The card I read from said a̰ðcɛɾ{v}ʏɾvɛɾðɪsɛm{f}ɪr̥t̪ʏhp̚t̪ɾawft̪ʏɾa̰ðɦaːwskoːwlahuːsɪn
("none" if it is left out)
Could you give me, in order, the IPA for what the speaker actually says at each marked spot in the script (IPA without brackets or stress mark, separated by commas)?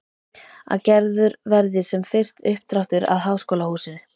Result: ð, f